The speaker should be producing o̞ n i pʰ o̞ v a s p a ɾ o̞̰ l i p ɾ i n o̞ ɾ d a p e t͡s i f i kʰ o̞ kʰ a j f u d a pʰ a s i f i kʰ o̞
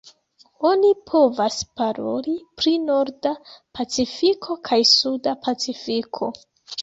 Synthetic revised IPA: o̞ n i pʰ o̞ v a s p a ɾ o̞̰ l i p ɾ i n o̞ ɾ d a p a t͡s i f i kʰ o̞ kʰ a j s u d a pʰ a t͡s i f i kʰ o̞